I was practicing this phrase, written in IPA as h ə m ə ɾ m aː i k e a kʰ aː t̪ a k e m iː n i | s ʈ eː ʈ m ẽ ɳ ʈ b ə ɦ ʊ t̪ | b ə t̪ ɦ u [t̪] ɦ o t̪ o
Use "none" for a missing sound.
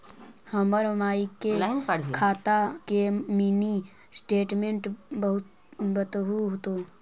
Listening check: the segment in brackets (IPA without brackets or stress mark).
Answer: none